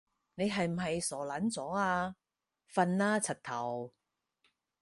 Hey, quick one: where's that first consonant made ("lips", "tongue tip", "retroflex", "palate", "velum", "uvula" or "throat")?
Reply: tongue tip